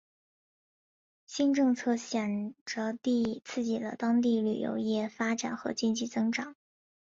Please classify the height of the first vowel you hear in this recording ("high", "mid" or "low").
high